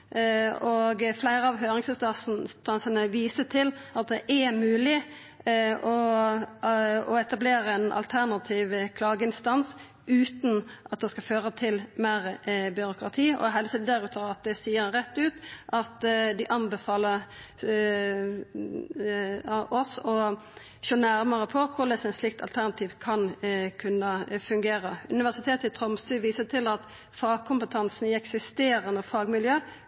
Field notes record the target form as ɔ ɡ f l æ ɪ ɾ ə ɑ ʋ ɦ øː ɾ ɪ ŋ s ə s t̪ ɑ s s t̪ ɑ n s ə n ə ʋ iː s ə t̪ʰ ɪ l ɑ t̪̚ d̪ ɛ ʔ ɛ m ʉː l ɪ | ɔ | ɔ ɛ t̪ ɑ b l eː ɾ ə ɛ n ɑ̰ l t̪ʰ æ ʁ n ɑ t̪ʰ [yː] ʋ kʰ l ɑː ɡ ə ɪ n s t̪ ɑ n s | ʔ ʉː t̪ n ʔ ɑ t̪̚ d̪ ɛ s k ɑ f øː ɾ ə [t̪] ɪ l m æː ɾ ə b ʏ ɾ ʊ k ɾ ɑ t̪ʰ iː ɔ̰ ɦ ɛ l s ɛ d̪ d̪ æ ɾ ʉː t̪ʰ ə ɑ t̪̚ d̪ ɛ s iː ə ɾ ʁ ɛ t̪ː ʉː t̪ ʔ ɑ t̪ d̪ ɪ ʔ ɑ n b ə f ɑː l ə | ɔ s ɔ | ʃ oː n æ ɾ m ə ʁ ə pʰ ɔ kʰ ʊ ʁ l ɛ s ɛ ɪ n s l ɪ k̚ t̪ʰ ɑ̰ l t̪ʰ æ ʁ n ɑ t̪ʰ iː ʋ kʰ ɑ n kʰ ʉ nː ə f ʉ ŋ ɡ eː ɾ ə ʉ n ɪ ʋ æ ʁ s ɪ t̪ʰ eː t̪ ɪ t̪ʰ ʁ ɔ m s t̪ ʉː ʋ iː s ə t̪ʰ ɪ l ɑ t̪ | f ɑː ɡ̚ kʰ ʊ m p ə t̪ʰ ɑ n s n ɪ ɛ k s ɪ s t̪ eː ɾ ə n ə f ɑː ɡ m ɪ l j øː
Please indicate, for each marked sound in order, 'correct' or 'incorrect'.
incorrect: iː, incorrect: t̪ʰ

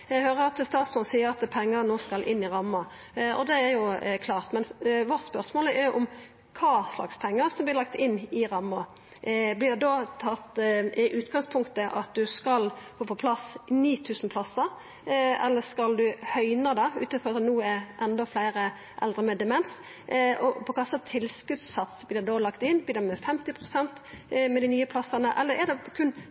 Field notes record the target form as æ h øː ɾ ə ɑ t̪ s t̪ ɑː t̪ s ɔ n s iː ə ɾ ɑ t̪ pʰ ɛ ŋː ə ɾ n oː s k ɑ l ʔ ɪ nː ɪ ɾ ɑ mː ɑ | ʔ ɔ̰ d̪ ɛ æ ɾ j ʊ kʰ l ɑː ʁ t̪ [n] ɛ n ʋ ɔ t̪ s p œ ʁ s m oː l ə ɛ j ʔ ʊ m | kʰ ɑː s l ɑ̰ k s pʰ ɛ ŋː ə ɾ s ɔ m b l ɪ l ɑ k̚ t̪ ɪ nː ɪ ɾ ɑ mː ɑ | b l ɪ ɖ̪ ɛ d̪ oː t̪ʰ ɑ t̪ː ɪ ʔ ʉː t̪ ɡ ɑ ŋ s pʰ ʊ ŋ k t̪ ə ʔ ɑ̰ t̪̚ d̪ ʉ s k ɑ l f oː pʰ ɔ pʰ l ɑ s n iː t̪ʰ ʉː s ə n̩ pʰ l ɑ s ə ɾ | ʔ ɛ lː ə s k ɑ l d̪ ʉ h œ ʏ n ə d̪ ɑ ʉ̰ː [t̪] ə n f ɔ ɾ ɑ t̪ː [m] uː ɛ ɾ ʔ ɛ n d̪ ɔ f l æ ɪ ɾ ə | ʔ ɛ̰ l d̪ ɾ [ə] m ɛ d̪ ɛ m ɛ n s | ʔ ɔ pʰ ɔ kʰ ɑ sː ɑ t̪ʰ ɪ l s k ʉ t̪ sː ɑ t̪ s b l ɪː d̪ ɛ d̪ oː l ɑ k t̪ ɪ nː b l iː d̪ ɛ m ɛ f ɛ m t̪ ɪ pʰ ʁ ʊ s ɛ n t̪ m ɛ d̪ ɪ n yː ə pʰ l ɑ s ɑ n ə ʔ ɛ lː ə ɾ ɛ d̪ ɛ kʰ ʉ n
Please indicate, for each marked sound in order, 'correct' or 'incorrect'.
incorrect: m, correct, incorrect: n, correct

